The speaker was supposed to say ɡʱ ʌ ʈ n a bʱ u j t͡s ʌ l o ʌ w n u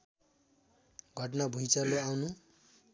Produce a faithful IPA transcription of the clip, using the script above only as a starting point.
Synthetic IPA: ɡʱ ʌ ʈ n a bʱ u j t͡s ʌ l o a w n u